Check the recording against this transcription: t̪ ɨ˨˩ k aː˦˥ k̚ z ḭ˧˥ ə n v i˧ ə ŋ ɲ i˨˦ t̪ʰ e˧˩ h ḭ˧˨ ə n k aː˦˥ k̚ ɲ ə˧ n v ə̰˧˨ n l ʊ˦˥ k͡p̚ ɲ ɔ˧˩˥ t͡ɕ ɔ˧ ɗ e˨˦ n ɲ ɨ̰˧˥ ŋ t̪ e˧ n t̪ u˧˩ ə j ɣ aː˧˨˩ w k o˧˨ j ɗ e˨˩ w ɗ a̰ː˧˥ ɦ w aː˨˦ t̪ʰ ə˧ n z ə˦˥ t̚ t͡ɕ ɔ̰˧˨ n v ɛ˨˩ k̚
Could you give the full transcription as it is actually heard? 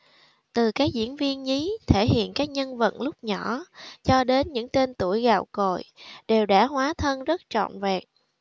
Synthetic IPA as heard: t̪ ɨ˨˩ k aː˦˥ k̚ z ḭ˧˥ ə n v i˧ ə n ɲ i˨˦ t̪ʰ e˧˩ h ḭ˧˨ ə n k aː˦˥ k̚ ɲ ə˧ n v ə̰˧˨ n l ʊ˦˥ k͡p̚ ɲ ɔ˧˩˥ t͡ɕ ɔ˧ ɗ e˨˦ n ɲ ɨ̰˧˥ ŋ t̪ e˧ n t̪ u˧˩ ə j ɣ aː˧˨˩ w k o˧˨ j ɗ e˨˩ w ɗ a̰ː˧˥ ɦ w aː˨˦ t̪ʰ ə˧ n z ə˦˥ t̚ t͡ɕ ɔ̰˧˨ n v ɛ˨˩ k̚